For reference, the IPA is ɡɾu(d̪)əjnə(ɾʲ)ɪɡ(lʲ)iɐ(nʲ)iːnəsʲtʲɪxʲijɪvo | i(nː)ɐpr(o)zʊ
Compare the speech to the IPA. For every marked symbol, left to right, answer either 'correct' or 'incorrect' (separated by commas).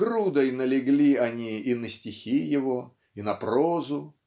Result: correct, incorrect, correct, correct, incorrect, correct